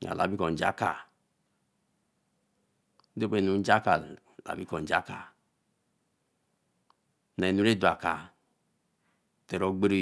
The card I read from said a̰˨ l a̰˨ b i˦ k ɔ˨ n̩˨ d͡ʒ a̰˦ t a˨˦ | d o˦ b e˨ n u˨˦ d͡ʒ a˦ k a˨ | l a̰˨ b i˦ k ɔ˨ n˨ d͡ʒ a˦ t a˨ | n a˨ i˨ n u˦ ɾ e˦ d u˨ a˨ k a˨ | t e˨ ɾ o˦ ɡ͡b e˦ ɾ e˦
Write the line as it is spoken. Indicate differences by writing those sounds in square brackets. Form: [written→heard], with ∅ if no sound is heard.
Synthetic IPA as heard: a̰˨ l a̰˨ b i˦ k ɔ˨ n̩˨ d͡ʒ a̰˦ [t→k] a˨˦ | d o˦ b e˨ n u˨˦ d͡ʒ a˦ k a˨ | l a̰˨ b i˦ k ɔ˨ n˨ d͡ʒ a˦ [t→k] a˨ | n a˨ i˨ n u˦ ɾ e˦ d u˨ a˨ k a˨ | t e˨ ɾ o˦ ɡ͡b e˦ ɾ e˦

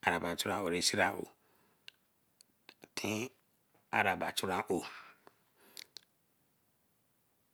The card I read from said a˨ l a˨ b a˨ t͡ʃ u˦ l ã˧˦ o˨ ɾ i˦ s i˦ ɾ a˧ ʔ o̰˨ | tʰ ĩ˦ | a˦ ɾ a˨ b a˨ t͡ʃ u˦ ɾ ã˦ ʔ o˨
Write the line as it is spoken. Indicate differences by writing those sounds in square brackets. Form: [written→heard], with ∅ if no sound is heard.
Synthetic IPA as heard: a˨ [l→ɾ] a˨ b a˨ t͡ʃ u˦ [l→ɾ] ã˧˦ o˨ ɾ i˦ s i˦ ɾ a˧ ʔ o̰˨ | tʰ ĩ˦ | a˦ ɾ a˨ b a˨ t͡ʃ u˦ ɾ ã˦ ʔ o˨

